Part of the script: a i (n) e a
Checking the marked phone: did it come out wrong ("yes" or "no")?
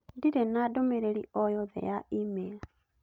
yes